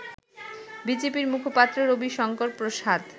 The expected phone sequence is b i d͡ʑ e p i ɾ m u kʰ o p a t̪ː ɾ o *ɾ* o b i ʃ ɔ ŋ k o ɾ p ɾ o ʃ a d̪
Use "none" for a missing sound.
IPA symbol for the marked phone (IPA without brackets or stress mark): ɾ